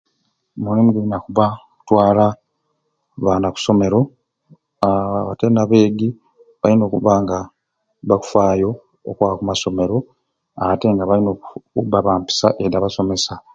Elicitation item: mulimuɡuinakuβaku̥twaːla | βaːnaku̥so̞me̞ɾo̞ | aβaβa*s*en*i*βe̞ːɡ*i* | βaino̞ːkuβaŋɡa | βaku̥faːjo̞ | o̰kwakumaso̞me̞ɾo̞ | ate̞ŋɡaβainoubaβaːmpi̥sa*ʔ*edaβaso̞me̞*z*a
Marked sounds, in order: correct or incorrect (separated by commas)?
incorrect, incorrect, correct, correct, incorrect